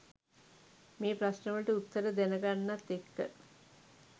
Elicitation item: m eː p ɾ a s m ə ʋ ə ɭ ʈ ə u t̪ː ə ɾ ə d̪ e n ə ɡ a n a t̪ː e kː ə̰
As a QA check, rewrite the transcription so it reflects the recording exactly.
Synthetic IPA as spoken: m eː p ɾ a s n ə ʋ ə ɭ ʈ ə u t̪ː ə ɾ ə d̪ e n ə ɡ a nː a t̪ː e kː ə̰